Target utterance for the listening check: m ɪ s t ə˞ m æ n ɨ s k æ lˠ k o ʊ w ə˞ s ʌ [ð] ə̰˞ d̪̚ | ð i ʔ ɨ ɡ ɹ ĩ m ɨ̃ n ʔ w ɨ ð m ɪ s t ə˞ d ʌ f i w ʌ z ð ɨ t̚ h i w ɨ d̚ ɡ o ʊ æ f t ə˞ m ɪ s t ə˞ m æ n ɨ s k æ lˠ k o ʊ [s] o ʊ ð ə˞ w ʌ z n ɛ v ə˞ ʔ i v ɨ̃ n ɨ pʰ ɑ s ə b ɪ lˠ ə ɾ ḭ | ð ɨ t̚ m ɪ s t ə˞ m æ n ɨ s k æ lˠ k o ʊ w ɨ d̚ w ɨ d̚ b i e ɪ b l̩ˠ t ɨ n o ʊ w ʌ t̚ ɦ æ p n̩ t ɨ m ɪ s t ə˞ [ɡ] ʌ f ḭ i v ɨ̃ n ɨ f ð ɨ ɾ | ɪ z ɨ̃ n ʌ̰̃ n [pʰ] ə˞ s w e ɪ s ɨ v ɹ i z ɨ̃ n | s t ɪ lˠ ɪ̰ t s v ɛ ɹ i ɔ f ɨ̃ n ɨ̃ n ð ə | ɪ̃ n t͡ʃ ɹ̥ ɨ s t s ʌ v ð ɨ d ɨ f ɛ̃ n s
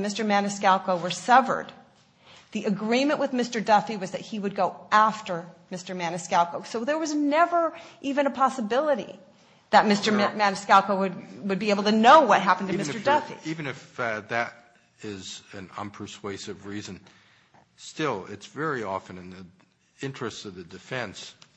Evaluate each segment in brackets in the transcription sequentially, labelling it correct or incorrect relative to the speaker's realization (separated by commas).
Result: incorrect, correct, incorrect, correct